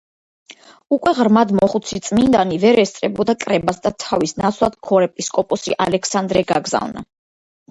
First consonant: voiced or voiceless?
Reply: voiceless